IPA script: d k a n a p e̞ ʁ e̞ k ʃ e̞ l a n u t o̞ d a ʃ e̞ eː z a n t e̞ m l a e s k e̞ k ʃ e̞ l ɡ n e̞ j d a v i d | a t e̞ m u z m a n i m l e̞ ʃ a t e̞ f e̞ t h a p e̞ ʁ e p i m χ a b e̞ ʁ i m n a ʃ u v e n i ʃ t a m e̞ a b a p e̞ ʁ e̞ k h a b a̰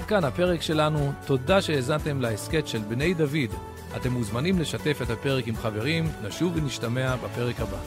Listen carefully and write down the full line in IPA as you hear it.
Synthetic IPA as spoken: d k a n a p e̞ ʁ e̞ k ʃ e̞ l a n u t o̞ d a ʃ e̞ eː z a n t e̞ m l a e s k e̞ t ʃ e̞ l b n e̞ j d a v i d | a t e̞ m u z m a n i m l e̞ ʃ a t e̞ f e̞ t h a p e̞ ʁ e k i m χ a v e̞ ʁ i m n a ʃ u v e n i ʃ t a m e̞ a b a p e̞ ʁ e̞ k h a b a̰